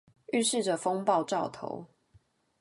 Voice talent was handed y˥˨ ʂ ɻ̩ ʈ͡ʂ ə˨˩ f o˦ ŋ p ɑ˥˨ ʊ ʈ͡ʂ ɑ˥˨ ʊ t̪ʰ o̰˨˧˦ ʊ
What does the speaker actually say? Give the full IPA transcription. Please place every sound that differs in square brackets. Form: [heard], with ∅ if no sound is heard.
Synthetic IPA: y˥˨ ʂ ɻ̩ ʈ͡ʂ ə˨˩ f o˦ ŋ p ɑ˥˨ ʊ ʈ͡ʂ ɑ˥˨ ʊ t̪ʰ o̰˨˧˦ ʊ